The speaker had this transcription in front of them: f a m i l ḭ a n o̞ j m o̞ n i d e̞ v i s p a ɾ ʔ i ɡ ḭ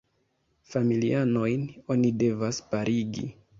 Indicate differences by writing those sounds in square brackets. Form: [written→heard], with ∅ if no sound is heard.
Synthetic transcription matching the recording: f a m i l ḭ a n o̞ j [m→n] o̞ n i d e̞ v [i→a] s p a ɾ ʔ i ɡ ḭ